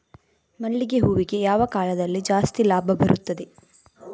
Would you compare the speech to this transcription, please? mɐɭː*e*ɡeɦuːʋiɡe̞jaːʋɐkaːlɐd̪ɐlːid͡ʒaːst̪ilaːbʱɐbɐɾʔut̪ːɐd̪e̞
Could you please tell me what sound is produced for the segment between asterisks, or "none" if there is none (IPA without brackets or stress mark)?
i